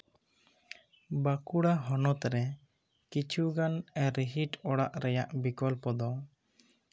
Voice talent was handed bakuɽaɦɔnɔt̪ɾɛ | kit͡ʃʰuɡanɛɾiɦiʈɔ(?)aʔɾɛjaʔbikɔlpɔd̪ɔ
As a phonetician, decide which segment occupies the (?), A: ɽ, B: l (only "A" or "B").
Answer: A